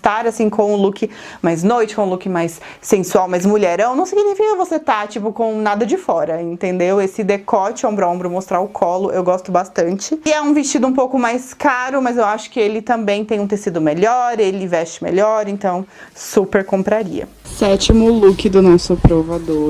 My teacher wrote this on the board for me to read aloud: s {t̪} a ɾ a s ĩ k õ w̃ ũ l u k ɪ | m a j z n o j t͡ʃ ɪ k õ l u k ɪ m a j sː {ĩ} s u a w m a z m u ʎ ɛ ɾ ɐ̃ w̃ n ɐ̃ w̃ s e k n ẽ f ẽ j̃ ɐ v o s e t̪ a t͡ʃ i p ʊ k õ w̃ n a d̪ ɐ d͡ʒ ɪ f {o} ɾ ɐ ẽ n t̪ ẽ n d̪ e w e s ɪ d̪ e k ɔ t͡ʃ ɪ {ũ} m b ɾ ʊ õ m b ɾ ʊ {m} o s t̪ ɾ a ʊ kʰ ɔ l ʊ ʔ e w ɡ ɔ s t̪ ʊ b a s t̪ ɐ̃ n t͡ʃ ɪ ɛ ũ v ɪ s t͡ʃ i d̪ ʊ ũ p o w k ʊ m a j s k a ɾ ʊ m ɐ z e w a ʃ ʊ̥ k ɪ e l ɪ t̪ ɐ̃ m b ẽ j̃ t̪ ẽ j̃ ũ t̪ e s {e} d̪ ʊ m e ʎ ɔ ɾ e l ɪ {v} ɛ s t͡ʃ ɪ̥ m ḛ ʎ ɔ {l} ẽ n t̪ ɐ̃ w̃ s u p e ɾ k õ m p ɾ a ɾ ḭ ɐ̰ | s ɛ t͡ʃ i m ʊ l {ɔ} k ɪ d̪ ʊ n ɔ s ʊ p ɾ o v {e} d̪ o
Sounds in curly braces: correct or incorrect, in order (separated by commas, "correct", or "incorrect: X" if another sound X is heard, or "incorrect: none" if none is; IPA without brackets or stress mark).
correct, incorrect: ẽ, incorrect: ɔ, incorrect: õ, correct, incorrect: i, correct, incorrect: ɾ, incorrect: u, incorrect: a